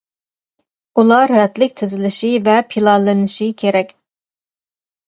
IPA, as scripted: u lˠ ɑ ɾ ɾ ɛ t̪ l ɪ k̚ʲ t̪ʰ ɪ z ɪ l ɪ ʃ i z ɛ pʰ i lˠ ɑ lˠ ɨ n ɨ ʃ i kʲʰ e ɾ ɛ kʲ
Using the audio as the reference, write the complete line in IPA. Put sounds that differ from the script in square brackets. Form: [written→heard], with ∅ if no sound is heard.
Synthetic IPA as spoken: u lˠ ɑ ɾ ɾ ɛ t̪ l ɪ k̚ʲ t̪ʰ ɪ z ɪ l ɪ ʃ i [z→v] ɛ pʰ i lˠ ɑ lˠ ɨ n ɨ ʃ i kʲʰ e ɾ ɛ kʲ